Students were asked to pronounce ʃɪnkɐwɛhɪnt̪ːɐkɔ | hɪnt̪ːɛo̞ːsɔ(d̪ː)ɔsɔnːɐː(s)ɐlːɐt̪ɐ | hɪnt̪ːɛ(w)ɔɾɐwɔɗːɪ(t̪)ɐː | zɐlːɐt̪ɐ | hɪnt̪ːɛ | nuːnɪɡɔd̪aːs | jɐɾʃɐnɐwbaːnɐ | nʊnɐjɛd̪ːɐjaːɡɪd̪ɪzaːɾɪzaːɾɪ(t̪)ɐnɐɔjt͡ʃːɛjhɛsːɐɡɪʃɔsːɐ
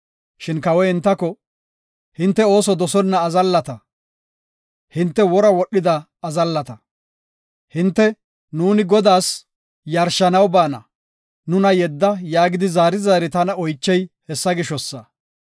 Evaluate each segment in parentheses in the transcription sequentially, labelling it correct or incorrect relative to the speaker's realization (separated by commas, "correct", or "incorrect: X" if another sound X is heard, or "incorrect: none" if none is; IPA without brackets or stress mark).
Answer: incorrect: d̪, incorrect: z, correct, incorrect: d̪, correct